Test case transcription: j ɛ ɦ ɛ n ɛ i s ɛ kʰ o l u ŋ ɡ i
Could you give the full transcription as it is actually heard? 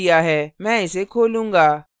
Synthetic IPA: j a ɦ ɛ m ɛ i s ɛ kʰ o l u ŋ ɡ a